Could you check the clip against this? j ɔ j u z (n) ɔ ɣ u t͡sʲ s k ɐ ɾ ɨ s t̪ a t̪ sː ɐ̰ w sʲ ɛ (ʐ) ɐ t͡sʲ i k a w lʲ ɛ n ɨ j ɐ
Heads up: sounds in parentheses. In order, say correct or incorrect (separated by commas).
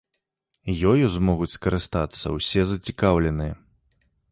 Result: incorrect, incorrect